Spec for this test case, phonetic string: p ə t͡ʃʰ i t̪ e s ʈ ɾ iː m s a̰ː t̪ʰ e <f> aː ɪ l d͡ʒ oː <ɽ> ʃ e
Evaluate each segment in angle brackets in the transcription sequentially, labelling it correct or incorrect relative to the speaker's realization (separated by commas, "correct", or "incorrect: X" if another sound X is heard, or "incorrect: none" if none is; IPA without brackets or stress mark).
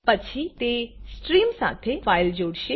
correct, correct